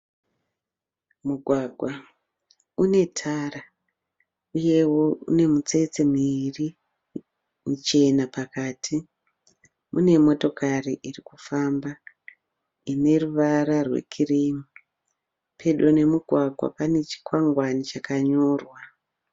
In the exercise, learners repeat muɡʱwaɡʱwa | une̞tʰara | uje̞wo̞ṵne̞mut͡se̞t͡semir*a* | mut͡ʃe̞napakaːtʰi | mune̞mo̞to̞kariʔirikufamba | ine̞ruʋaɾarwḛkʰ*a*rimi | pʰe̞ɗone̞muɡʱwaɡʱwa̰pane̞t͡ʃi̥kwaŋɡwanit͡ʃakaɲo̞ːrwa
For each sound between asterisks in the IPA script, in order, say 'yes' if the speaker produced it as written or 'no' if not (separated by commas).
no, no